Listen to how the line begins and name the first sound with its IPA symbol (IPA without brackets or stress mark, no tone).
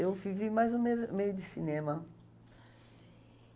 e